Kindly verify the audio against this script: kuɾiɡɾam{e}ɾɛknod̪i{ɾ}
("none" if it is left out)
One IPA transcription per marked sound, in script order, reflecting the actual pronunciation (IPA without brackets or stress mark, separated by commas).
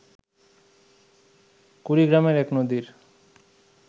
e, ɾ